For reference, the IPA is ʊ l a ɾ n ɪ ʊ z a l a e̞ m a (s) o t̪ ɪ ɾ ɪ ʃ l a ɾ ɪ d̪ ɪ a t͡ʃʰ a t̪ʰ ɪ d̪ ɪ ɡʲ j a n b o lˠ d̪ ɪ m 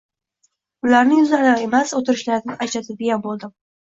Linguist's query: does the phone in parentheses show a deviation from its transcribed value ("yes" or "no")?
no